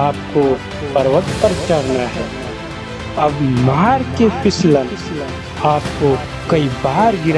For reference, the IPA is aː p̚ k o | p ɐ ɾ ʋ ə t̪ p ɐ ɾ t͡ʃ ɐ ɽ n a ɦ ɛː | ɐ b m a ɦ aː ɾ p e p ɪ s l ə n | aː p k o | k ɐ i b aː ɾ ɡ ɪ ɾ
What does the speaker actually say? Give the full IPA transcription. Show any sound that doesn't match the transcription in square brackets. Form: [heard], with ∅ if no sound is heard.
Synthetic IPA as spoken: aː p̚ k o | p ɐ ɾ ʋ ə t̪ p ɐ ɾ t͡ʃ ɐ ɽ n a ɦ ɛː | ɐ b m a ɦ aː ɾ [k] e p ɪ s l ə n | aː p k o | k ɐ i b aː ɾ ɡ ɪ ɾ